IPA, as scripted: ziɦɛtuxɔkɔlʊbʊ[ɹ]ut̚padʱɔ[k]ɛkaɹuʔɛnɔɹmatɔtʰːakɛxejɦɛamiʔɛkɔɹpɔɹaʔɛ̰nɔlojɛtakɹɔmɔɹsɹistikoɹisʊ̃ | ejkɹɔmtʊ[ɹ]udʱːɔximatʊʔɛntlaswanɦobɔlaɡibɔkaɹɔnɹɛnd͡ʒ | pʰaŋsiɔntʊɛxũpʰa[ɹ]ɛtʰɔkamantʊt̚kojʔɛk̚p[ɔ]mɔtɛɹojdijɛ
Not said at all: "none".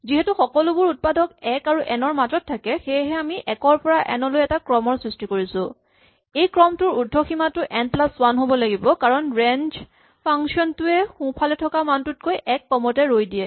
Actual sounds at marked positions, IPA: ɹ, k, ɹ, l, ɔ

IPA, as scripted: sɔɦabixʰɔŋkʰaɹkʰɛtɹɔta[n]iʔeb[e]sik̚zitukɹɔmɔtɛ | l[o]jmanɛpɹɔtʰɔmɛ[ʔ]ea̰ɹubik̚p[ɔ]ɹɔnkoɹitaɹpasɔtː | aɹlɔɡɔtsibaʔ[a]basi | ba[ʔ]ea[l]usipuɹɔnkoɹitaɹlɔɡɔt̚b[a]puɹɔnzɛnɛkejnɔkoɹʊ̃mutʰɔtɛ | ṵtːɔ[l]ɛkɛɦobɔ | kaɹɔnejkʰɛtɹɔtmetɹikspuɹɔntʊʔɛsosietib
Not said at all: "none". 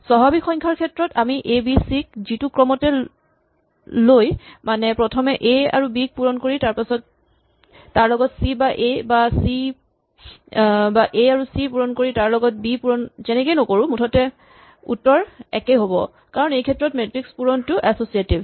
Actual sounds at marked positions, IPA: m, i, o, ʔ, u, e, ʔ, ɹ, i, ɹ

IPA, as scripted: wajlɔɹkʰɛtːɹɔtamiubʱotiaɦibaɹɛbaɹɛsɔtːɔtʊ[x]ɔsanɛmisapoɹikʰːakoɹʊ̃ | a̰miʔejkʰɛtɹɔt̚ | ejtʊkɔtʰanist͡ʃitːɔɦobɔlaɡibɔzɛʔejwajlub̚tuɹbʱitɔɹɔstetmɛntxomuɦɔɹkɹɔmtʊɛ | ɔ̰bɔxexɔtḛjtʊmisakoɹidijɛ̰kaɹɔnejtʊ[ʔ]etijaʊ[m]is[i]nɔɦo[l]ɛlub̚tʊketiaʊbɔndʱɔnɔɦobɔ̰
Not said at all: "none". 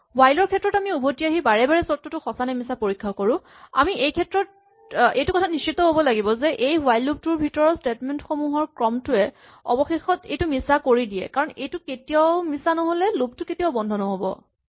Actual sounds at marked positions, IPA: x, k, m, a, l

